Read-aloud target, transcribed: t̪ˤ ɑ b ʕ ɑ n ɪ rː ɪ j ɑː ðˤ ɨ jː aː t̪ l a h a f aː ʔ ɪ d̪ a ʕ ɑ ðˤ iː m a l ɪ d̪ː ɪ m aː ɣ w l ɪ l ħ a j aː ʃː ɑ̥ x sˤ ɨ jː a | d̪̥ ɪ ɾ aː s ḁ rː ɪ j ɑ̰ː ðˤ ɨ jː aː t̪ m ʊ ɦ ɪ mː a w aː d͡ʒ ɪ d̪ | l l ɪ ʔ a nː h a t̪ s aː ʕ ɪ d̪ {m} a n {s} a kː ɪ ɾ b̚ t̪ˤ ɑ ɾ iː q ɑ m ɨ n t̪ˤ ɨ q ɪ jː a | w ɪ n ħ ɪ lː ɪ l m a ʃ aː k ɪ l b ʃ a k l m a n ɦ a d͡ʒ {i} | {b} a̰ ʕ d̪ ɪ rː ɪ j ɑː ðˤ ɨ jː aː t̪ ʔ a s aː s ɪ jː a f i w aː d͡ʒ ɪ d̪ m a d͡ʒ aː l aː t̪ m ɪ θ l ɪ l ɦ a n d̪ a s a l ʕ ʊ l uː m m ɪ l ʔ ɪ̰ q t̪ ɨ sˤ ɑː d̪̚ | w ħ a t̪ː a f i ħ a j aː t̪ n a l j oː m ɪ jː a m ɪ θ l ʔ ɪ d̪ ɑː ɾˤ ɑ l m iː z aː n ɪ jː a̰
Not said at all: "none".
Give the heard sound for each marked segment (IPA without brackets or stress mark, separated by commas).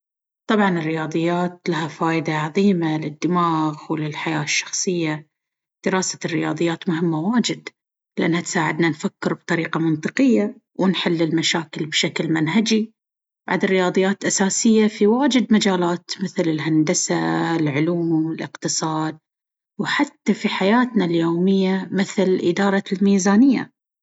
n, f, i, b